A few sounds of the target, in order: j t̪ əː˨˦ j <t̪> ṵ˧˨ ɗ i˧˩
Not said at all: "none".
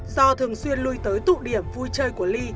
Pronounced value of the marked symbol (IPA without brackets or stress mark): t̪